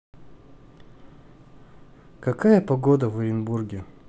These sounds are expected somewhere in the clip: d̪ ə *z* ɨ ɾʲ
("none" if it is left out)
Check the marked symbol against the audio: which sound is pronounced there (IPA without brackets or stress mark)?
v